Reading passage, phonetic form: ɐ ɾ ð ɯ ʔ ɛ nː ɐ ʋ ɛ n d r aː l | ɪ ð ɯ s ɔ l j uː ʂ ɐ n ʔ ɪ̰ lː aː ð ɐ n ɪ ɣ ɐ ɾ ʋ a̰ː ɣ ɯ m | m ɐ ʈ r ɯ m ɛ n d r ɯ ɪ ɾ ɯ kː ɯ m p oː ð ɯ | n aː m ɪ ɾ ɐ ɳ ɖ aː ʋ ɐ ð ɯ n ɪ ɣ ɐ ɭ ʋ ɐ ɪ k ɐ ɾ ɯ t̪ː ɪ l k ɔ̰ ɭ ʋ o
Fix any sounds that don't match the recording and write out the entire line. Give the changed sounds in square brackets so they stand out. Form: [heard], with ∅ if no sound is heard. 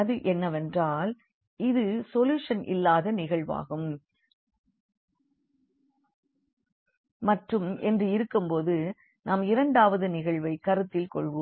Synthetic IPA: ɐ [∅] ð ɯ ʔ ɛ nː ɐ ʋ ɛ n d r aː l | ɪ ð ɯ s ɔ l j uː ʂ ɐ n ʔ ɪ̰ lː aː ð ɐ n ɪ ɣ ɐ [ɭ] ʋ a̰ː ɣ ɯ m | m ɐ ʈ r ɯ m ɛ n d r ɯ ɪ ɾ ɯ kː ɯ m p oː ð ɯ | n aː m ɪ ɾ ɐ ɳ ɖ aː ʋ ɐ ð ɯ n ɪ ɣ ɐ ɭ ʋ ɐ ɪ k ɐ ɾ ɯ t̪ː ɪ l k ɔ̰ ɭ ʋ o